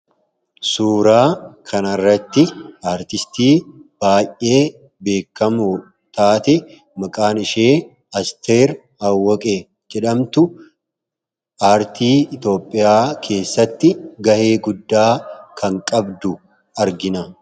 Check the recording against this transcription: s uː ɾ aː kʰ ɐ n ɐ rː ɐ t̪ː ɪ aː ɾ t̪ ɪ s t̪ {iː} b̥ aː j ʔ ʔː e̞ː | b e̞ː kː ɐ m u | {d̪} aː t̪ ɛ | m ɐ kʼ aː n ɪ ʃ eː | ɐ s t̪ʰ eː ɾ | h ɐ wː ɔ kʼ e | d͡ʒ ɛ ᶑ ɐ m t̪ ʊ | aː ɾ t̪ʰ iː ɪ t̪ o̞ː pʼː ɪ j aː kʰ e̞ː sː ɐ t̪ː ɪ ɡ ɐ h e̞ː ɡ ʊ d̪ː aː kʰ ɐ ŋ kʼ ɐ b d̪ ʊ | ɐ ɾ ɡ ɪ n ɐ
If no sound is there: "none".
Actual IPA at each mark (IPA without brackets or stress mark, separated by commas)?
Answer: iː, t̪